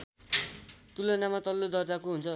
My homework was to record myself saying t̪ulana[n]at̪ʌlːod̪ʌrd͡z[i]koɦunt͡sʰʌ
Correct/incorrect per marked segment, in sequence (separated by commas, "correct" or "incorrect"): incorrect, incorrect